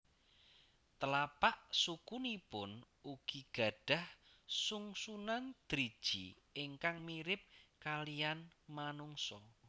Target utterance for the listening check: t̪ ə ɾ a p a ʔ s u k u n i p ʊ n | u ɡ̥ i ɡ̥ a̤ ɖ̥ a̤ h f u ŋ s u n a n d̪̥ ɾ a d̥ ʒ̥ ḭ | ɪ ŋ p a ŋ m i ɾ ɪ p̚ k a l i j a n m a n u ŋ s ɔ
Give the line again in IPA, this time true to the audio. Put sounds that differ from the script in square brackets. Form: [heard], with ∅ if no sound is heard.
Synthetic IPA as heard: t̪ ə [l] a p a ʔ s u k u n i p ʊ n | u ɡ̥ i ɡ̥ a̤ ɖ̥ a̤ h [s] u ŋ s u n a n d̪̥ ɾ [i] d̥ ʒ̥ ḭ | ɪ ŋ [k] a ŋ m i ɾ ɪ p̚ k a l i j a n m a n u ŋ s ɔ